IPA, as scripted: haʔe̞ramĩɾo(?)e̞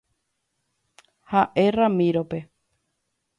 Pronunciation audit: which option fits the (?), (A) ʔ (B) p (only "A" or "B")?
B